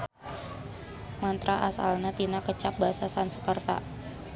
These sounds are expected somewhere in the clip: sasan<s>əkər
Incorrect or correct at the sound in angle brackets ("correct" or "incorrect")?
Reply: correct